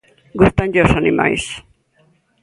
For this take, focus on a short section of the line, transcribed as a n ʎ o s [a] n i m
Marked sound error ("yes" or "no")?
no